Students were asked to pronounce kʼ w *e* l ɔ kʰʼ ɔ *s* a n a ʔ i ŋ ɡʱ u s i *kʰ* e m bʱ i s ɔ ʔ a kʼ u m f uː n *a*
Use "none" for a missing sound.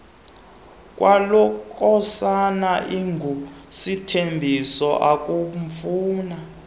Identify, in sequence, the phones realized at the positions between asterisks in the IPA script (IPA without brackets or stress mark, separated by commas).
a, s, tʰ, a